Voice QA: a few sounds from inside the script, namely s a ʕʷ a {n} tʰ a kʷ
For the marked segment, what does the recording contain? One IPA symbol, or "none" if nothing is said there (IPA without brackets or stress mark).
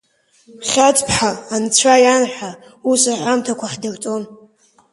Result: m